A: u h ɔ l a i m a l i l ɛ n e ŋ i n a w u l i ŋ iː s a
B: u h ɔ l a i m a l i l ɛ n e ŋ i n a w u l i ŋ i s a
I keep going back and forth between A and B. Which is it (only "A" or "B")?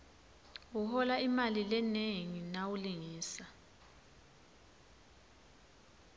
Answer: A